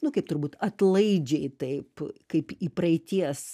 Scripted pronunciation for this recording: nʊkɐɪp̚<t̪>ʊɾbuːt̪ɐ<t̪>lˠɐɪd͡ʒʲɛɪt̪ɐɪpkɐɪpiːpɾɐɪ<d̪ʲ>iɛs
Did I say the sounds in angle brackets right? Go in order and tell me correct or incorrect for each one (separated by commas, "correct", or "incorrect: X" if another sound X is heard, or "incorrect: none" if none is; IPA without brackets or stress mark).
correct, correct, incorrect: t̪ʲ